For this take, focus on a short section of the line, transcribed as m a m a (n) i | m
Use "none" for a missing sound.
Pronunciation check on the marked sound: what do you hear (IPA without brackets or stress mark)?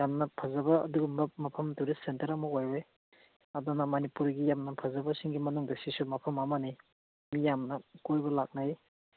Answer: n